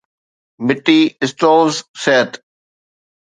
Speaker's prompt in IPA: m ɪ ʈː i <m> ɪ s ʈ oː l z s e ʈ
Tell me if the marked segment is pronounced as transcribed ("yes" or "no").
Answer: no